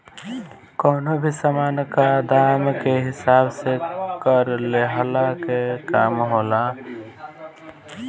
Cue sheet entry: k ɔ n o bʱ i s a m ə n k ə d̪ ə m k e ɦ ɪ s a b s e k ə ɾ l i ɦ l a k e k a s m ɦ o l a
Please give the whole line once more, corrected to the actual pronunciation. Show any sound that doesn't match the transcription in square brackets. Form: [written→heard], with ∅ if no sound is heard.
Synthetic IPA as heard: k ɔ n o bʱ i s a m [ə→a] n k [ə→a] d̪ [ə→a] m k e ɦ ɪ s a b s e k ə ɾ l [i→e] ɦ l a k e k a [s→∅] m ɦ o l a